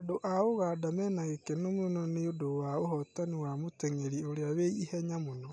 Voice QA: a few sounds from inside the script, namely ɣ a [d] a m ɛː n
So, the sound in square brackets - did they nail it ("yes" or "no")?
yes